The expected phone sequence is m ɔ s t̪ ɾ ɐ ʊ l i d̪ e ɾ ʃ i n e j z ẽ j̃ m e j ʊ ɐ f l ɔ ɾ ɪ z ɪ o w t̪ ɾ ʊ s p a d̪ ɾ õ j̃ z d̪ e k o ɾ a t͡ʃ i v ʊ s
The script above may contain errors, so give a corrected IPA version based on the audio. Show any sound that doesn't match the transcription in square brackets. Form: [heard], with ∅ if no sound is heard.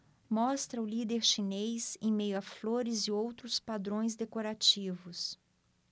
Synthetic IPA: m ɔ s t̪ ɾ ɐ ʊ l i d̪ e ɾ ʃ i n e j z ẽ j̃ m e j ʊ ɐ f l [o] ɾ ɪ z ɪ o w t̪ ɾ ʊ s p a d̪ ɾ õ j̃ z d̪ e k o ɾ a t͡ʃ i v ʊ s